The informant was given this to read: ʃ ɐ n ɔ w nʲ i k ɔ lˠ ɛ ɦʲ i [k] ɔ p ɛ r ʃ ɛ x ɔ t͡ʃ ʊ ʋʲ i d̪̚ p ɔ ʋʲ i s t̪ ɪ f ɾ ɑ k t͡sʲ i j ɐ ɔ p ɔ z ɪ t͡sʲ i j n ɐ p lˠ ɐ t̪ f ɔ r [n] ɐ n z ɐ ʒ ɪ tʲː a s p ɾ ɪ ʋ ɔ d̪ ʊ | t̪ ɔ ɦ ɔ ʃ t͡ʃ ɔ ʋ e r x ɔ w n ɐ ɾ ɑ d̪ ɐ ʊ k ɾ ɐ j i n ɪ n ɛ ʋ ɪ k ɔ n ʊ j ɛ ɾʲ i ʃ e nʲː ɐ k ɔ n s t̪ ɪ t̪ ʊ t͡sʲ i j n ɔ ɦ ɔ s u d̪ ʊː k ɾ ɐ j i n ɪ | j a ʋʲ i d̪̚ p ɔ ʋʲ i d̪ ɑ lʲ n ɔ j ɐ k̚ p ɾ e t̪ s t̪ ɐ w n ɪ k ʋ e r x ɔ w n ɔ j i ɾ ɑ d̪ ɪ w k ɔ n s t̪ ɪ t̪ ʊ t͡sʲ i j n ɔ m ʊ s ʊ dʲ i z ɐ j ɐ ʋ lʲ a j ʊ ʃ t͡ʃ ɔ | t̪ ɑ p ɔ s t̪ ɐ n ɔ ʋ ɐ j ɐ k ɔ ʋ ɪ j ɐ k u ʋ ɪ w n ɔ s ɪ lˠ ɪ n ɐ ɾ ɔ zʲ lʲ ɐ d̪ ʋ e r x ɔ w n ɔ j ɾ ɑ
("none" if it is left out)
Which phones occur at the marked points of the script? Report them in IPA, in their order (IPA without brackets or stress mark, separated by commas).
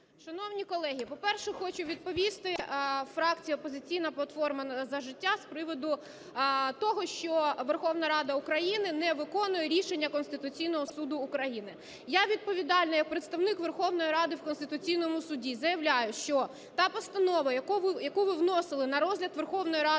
p, m